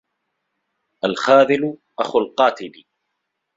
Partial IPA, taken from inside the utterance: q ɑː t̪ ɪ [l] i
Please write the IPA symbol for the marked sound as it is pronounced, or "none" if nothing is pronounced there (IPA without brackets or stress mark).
l